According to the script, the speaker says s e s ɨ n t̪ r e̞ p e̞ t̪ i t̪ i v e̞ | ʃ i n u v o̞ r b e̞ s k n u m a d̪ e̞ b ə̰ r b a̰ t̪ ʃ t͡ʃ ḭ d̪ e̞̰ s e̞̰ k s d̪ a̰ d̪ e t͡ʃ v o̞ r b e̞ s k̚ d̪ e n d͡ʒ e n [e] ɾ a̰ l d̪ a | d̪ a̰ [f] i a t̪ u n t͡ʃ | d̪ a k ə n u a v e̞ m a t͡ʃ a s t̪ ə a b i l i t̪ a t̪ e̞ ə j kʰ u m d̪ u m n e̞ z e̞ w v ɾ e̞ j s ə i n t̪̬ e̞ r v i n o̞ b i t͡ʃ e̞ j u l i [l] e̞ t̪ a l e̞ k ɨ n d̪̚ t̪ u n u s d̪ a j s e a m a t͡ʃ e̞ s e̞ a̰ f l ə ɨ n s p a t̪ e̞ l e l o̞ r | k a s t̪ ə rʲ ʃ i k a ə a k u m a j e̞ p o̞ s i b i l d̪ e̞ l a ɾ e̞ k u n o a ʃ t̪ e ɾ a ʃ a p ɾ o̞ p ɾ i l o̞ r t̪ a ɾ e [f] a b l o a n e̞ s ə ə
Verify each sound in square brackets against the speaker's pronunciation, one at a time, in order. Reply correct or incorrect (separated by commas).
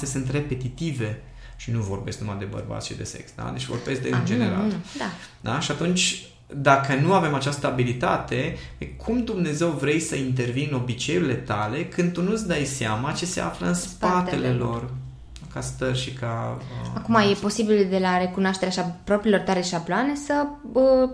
correct, incorrect, correct, incorrect